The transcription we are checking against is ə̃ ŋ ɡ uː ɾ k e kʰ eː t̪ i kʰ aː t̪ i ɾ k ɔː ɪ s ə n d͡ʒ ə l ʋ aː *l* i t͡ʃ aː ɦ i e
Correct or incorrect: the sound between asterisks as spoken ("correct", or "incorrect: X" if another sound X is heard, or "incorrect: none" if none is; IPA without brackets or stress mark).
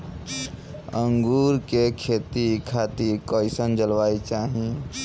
incorrect: none